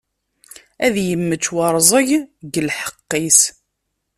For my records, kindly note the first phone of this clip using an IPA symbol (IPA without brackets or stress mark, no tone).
æ